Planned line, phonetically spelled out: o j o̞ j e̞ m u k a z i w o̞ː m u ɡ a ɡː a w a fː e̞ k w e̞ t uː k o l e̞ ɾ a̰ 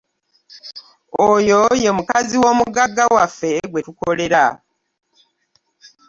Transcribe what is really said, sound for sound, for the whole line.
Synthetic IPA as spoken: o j o̞ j e̞ m u k a z i w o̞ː m u ɡ a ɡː a w a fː e̞ ɡ w e̞ t u k o l e̞ ɾ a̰